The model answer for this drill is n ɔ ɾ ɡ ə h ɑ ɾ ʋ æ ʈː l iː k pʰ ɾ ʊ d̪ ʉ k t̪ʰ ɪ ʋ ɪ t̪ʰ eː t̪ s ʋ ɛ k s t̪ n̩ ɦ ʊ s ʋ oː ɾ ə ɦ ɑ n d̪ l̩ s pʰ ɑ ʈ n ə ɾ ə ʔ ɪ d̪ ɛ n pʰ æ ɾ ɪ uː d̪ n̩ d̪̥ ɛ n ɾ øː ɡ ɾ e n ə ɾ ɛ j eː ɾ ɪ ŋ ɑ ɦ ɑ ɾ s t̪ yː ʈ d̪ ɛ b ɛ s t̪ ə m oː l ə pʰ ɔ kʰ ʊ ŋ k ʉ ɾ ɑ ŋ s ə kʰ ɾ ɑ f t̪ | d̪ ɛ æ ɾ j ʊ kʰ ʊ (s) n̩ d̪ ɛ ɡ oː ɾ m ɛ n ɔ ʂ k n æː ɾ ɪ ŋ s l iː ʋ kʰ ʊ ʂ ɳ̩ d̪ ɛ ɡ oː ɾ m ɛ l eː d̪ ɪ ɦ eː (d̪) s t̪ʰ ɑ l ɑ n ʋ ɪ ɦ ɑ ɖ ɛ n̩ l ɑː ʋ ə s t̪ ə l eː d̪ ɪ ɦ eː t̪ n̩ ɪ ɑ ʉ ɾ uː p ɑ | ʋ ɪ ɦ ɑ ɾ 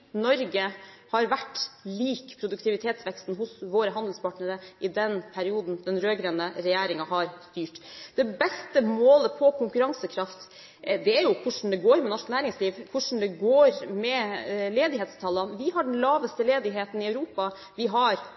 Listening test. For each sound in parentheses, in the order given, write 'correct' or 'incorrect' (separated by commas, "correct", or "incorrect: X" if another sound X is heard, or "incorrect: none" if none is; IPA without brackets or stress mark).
incorrect: ʂ, incorrect: t̪